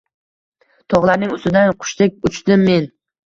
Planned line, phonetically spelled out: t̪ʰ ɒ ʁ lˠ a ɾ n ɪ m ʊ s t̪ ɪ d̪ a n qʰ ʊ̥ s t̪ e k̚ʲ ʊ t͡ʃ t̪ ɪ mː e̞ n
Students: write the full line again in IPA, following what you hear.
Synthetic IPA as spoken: t̪ʰ ɒ ʁ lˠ a ɾ n ɪ ŋ ʊ s t̪ ɪ d̪ a n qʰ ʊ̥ ʃ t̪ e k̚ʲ ʊ t͡ʃ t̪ ɪ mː e̞ n